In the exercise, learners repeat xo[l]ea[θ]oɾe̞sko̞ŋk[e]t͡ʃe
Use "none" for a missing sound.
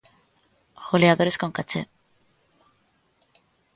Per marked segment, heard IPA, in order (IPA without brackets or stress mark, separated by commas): l, ð, a